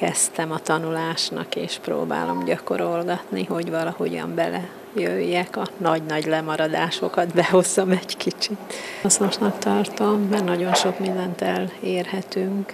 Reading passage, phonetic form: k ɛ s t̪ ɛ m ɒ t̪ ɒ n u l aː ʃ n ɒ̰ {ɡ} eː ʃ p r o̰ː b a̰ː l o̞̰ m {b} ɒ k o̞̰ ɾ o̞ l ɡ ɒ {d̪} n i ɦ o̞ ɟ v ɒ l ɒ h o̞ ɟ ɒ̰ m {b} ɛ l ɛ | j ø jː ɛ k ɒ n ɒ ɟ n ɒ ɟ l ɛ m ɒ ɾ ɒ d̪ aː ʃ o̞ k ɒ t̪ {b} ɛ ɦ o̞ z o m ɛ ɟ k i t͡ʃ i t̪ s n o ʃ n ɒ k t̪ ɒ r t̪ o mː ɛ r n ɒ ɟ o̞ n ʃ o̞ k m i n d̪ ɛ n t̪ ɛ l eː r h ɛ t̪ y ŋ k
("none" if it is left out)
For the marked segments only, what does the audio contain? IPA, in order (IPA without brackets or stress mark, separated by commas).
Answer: k, ɟ, t̪, b, b